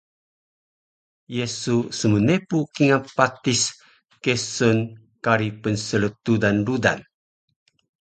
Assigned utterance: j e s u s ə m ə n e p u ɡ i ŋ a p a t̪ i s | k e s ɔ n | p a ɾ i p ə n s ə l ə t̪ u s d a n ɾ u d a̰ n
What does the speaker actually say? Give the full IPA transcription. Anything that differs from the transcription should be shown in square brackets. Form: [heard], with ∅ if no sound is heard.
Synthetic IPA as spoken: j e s u s ə m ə n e p u [k] i ŋ a p a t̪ i s | k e s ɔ n | [k] a ɾ i p ə n s ə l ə t̪ u [∅] d a n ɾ u d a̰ n